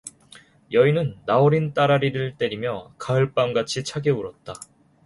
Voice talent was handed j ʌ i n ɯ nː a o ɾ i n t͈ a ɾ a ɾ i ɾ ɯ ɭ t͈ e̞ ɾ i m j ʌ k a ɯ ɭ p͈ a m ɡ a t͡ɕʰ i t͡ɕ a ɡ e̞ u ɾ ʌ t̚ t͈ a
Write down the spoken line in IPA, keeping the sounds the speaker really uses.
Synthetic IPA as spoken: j ʌ i n ɯ nː a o ɾ i n t͈ a ɾ a ɾ i ɾ ɯ ɭ t͈ e̞ ɾ i m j ʌ k a ɯ ɭ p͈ a m ɡ a t͡ɕʰ i t͡ɕʰ a ɡ e̞ u ɾ ʌ t̚ t͈ a